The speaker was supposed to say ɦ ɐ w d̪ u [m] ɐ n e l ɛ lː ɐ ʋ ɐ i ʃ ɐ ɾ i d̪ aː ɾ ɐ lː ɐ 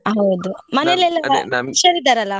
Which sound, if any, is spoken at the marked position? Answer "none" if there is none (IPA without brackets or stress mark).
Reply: m